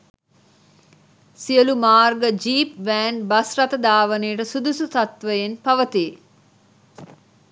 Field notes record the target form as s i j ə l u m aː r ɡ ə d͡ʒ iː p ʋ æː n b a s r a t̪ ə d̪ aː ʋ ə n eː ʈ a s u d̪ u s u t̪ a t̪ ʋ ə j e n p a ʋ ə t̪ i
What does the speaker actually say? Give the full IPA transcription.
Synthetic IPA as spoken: s i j ə l u m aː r ɡ ə d͡ʒ iː p ʋ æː n b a s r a t̪ ə d̪ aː ʋ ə n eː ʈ ə s u d̪ u s u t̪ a t̪ ʋ ə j e n p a ʋ ə t̪ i